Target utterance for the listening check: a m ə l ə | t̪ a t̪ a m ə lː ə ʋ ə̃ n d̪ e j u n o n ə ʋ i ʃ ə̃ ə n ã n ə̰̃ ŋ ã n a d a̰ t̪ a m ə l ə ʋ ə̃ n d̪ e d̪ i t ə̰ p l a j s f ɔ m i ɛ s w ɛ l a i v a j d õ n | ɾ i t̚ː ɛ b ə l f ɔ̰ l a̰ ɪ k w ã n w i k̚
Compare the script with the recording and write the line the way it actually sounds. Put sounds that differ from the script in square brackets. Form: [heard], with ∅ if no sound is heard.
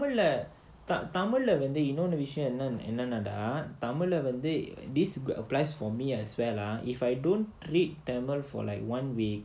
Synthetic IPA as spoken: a m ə l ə | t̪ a t̪ a m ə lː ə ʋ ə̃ n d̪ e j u n o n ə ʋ i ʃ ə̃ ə n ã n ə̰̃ [n] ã n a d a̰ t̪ a m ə l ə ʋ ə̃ n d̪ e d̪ i [s] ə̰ p l a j s f ɔ m i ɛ s w ɛ l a i [f] a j d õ n | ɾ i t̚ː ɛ [m] ə l f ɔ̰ l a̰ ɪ k w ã n w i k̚

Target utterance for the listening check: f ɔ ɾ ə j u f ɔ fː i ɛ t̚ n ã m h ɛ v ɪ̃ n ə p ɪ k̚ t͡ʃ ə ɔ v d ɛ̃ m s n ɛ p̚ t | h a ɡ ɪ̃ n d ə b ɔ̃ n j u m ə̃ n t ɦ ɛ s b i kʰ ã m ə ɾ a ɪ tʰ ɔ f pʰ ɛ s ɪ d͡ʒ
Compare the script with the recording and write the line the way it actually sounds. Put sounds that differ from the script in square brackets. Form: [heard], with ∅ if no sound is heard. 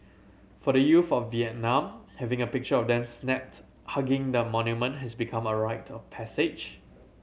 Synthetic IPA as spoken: f ɔ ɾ ə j u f ɔ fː i ɛ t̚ n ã m h ɛ v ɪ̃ [ŋ] ə p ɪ k̚ t͡ʃ ə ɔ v d ɛ̃ m s n ɛ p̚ t | h a ɡ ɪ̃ [ŋ] d ə [m] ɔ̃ n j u m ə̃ n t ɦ ɛ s b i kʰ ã m ə [ɹ] a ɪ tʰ ɔ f pʰ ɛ s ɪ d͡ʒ

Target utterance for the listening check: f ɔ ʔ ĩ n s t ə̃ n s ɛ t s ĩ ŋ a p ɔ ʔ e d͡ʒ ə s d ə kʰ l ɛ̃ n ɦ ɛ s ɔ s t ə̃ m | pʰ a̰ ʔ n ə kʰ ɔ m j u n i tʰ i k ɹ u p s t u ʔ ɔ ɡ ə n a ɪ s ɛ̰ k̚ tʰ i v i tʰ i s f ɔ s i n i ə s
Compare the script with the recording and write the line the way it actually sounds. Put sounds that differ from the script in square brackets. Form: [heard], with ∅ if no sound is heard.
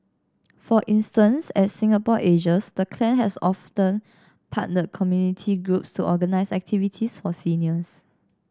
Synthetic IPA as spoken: f ɔ ʔ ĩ n s t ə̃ n s ɛ t s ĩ ŋ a p ɔ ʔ e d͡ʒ ə s d ə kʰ l ɛ̃ n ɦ ɛ s ɔ [f] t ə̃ [n] | pʰ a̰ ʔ n ə kʰ ɔ m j u n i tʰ i [ɡ] ɹ u p s t u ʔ ɔ ɡ ə n a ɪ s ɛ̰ k̚ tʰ i v i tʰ i s f ɔ s i n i ə s

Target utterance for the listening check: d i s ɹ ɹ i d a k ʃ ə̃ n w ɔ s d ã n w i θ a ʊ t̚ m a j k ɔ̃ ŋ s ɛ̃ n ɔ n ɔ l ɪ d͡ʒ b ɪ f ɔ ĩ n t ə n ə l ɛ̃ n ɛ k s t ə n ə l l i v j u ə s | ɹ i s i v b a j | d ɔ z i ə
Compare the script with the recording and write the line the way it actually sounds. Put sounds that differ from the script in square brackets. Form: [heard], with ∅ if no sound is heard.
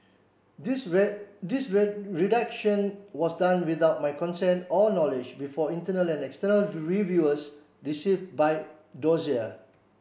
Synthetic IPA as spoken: d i s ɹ ɹ i d a k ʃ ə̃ n w ɔ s d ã n w i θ a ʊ t̚ m a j k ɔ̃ [n] s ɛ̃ n ɔ n ɔ l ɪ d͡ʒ b [i] f ɔ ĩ n t ə n ə l ɛ̃ n ɛ k s t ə n ə l [ɹ] i v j u ə s | ɹ i s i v b a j | d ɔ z i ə

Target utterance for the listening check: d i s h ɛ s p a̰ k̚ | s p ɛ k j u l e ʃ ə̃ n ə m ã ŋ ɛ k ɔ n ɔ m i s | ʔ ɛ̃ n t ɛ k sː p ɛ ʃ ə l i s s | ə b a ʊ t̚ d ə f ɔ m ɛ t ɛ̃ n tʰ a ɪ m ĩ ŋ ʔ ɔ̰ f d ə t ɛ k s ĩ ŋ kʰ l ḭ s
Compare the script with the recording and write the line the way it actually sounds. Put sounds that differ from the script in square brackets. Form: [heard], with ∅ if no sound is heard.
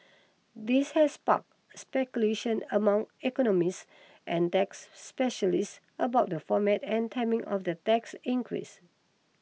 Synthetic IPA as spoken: d i s h ɛ s p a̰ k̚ | s p ɛ k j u l e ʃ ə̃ n ə m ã ŋ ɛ k ɔ n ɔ m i s | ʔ ɛ̃ n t ɛ k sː p ɛ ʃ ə l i s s | ə b a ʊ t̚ d ə f ɔ m ɛ t ɛ̃ n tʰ a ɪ m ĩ ŋ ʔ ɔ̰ f d ə t ɛ k s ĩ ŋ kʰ [ɹ] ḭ s

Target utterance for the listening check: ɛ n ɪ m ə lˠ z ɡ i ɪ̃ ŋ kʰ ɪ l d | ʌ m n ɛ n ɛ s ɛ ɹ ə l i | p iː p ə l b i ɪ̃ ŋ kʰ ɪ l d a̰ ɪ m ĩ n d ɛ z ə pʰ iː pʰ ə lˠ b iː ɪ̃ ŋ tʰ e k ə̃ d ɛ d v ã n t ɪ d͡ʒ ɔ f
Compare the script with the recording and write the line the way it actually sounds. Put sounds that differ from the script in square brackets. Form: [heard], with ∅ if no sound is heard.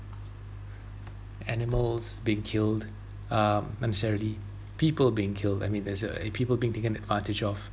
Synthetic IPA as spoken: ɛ n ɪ m ə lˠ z [b] i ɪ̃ ŋ kʰ ɪ l d | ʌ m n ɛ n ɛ s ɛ ɹ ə l i | p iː p ə l b i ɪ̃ ŋ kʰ ɪ l d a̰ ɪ m ĩ n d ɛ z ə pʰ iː [p] ə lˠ b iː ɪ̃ ŋ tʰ e k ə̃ [n] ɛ d v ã n t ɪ d͡ʒ ɔ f

